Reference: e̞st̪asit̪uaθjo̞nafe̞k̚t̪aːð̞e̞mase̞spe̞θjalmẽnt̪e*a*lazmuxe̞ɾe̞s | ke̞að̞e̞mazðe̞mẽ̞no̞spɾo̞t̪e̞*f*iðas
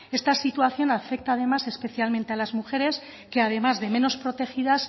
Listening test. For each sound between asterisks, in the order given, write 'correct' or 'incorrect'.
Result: correct, incorrect: x

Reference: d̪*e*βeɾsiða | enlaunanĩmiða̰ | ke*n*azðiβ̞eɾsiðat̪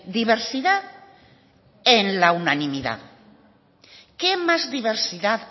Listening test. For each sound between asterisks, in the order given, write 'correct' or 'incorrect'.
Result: incorrect: i, incorrect: m

